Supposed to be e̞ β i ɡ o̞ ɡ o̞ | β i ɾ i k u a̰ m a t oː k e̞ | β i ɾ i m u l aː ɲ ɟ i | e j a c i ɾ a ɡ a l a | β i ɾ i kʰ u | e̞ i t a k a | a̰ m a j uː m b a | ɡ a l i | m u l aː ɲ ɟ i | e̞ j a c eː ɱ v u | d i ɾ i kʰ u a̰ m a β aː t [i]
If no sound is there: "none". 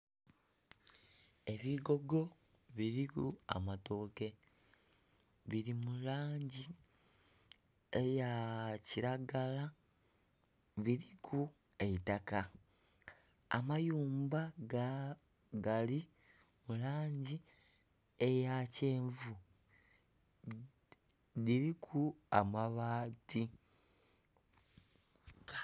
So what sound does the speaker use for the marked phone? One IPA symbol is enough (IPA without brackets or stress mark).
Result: i